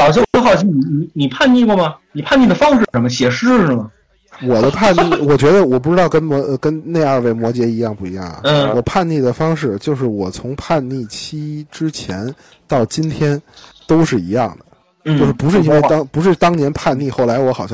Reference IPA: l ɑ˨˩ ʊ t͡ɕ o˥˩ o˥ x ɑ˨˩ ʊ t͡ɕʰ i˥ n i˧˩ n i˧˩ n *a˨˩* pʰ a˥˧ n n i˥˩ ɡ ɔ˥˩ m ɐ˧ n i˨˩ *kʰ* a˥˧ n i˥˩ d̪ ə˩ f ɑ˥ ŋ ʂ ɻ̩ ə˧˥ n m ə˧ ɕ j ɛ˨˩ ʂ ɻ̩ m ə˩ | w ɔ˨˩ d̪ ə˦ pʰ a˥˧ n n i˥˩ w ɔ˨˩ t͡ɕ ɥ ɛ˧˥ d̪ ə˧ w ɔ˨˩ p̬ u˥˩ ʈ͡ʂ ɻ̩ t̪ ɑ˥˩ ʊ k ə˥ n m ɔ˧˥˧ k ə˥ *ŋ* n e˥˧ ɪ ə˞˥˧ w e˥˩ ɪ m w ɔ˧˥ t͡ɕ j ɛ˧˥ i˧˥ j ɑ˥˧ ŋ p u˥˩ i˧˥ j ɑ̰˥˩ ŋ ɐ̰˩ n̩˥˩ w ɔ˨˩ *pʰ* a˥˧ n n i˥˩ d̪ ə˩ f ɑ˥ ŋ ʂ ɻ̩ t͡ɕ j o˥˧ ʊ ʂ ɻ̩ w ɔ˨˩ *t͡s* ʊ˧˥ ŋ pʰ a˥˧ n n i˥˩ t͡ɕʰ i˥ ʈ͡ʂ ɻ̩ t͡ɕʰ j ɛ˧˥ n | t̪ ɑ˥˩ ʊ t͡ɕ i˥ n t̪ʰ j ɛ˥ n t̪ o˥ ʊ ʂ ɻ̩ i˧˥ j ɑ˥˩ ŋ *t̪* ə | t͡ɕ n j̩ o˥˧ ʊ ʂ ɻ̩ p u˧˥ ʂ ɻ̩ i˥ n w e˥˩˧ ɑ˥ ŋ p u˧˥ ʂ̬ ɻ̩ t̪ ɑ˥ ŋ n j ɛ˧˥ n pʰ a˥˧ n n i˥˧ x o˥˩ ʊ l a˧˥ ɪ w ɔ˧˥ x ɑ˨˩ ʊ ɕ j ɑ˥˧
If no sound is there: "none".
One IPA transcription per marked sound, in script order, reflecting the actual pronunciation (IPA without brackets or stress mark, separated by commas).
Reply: i˨˩, pʰ, n, pʰ, t͡sʰ, d̪